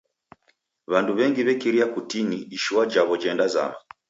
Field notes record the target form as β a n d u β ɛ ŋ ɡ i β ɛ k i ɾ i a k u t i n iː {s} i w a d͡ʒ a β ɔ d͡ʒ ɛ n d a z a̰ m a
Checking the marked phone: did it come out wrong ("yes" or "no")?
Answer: yes